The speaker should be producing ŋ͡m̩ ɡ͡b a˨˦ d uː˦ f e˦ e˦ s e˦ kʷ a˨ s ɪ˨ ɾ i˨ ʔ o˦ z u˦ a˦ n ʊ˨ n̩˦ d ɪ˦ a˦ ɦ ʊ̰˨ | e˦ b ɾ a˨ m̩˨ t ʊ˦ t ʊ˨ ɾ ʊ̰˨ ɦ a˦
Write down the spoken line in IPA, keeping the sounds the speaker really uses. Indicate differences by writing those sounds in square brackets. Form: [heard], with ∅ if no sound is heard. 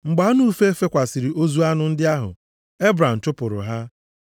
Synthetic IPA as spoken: ŋ͡m̩ ɡ͡b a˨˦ [n] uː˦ f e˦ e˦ [f] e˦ kʷ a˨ s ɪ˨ ɾ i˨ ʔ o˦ z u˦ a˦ n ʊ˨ n̩˦ d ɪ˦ a˦ ɦ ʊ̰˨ | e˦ b ɾ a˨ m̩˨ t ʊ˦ [p] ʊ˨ ɾ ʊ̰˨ ɦ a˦